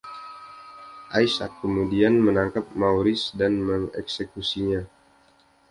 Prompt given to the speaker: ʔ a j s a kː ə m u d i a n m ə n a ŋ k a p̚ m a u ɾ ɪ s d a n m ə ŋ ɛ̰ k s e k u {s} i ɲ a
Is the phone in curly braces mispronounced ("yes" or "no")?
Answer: no